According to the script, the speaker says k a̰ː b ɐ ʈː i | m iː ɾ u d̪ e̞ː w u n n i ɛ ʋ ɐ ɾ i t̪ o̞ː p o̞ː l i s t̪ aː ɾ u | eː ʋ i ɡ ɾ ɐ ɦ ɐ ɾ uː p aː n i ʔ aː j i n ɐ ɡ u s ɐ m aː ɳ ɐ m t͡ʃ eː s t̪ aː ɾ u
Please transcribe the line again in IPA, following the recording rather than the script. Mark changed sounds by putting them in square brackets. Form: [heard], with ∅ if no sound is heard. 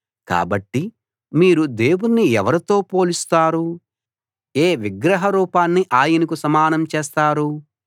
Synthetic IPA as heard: k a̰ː b ɐ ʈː i | m iː ɾ u d̪ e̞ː w u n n i ɛ ʋ ɐ ɾ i t̪ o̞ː p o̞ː l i s t̪ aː ɾ u | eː ʋ i ɡ ɾ ɐ ɦ ɐ ɾ uː p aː [nː] i ʔ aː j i n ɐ [k] u s ɐ m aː [n] ɐ m t͡ʃ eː s t̪ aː ɾ u